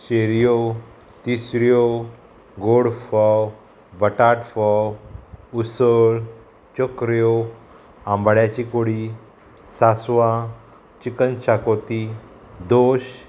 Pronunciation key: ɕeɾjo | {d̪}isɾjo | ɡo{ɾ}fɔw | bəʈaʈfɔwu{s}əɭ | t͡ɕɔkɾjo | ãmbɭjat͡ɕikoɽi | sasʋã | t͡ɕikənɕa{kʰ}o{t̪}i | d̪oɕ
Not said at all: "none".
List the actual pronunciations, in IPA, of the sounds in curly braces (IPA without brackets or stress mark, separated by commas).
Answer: t̪, ɽ, s, k, t̪